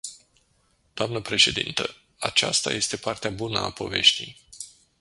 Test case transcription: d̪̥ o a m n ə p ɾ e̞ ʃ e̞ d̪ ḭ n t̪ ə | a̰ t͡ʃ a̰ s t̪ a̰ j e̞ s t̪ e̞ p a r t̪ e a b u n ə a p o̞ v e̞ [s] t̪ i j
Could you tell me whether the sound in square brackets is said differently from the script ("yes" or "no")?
yes